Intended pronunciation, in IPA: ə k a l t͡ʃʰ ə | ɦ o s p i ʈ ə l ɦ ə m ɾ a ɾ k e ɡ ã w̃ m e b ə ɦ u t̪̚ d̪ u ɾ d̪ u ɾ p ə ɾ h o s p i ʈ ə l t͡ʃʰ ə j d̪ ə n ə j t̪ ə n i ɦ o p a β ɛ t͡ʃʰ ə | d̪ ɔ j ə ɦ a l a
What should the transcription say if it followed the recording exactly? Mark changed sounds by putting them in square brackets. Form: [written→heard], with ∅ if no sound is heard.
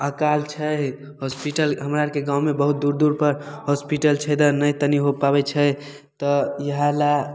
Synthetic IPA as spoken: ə k a l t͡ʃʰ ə | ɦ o s p i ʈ ə l ɦ ə m ɾ a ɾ k e ɡ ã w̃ m e b ə ɦ u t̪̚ d̪ u ɾ d̪ u ɾ p ə ɾ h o s p i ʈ ə l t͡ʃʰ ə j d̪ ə n ə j t̪ ə n i ɦ o p a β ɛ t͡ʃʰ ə | [d̪→t̪] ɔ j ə ɦ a l a